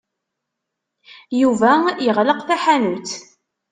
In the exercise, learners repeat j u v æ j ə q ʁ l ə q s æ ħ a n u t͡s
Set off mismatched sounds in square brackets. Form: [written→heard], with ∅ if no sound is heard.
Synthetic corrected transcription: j u v æ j ə [q→∅] ʁ l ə q [s→θ] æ ħ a n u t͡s